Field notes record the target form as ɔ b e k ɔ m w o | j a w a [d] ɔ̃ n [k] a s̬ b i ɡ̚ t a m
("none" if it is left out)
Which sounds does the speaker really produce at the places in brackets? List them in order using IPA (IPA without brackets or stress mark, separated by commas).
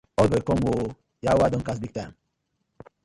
d, k